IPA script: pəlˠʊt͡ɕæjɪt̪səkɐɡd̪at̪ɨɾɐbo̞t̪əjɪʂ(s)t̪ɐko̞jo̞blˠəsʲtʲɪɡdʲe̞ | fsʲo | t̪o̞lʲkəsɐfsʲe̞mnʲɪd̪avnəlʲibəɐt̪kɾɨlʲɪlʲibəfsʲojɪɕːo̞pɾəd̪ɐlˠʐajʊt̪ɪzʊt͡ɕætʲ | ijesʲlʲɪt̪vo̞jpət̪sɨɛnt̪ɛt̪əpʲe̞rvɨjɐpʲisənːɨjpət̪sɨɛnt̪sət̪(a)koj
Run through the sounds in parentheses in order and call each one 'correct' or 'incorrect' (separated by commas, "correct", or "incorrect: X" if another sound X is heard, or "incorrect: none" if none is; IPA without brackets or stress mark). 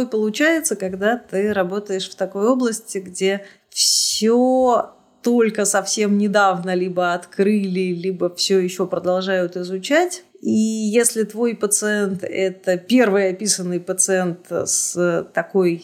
incorrect: f, incorrect: ɐ